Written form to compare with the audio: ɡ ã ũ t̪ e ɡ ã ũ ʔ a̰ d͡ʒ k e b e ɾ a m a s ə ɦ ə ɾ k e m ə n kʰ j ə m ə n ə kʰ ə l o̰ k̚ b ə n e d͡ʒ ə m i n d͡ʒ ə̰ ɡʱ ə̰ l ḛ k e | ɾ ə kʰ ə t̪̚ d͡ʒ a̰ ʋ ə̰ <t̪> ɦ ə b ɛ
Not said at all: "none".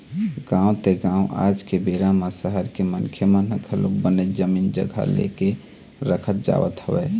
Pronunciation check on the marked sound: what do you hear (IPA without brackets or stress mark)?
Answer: t̪